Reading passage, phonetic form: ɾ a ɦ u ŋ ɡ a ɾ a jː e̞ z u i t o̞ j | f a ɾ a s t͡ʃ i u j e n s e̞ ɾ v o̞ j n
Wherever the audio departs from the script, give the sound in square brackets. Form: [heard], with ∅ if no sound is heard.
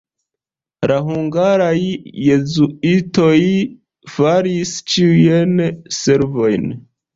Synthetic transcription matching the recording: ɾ a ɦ u ŋ ɡ a ɾ a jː e̞ z u i t o̞ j | f a ɾ [i] s t͡ʃ i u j e n s e̞ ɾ v o̞ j n